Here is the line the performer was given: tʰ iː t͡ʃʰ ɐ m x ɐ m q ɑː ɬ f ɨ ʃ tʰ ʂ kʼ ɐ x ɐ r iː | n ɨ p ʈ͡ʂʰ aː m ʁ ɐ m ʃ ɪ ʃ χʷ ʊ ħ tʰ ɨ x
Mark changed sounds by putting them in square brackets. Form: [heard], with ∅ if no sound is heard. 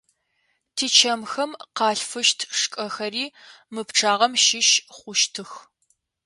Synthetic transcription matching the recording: tʰ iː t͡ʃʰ ɐ m x ɐ m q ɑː ɬ f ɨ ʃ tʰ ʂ kʼ ɐ x ɐ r iː | [m] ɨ p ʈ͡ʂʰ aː [∅] ʁ ɐ m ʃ ɪ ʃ χʷ ʊ [ʃ] tʰ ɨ x